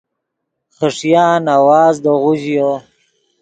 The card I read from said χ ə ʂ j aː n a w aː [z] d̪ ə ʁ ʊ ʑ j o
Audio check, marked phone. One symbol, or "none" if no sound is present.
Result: z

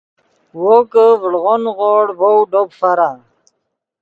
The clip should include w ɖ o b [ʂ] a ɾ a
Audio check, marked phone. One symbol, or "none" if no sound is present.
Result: f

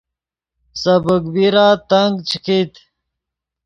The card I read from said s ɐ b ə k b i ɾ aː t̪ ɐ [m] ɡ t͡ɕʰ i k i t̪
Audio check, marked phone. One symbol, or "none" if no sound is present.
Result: ŋ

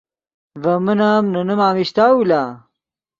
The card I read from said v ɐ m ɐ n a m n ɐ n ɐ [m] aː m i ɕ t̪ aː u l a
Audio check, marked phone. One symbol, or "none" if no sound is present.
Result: m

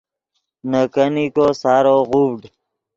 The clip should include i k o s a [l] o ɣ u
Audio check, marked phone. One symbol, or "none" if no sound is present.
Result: ɾ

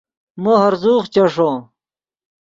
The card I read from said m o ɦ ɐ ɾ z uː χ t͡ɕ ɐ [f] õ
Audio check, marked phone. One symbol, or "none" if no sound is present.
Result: ʂ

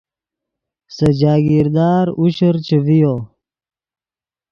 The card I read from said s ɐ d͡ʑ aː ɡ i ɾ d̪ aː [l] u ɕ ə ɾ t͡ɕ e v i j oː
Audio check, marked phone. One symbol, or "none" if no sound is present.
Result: ɾ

